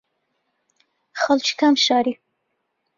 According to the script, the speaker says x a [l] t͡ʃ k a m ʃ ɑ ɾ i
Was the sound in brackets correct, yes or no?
yes